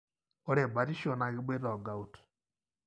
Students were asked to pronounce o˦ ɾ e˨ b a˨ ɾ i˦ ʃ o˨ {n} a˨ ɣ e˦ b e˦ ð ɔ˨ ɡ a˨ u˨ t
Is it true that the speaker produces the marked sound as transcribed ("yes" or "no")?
yes